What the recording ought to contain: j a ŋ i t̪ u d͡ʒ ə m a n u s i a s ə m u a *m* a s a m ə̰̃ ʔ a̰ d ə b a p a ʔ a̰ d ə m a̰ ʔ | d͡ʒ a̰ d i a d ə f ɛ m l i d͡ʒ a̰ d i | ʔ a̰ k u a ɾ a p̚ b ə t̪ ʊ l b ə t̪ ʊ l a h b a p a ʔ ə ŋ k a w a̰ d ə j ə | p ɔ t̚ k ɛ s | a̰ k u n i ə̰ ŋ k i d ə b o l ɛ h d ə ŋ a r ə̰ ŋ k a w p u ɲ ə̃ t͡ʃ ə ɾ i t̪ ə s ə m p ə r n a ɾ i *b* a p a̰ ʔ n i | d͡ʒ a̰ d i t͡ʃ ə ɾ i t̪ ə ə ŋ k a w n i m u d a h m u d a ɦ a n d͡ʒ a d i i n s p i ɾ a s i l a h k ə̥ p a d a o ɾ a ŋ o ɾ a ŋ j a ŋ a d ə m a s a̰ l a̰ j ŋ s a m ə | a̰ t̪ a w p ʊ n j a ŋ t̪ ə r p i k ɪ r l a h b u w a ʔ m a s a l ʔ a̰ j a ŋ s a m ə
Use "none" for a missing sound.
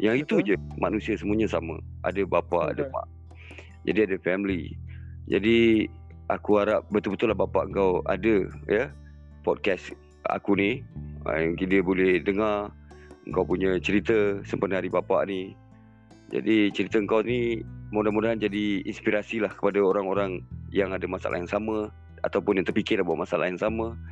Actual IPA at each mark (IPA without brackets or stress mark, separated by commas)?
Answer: ɲ, b